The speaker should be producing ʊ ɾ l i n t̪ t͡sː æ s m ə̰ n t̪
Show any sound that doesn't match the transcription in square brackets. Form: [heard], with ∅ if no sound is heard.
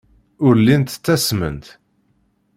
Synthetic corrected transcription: ʊ ɾ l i n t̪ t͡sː æ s m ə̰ n t̪